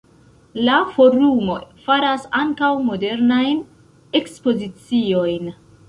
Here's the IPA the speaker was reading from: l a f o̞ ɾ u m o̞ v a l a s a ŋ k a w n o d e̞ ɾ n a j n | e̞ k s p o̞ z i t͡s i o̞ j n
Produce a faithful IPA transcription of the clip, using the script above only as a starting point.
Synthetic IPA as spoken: l a f o̞ ɾ u m o̞ f a ɾ a s a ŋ k a w m o d e̞ ɾ n a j n | e̞ k s p o̞ z i t͡s i o̞ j n